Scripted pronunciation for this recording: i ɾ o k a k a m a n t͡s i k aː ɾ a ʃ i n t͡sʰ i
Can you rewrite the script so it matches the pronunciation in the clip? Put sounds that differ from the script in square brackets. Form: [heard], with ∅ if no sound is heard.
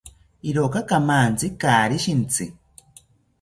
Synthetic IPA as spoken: i ɾ o k a k a m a n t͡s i k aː ɾ [i] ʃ i n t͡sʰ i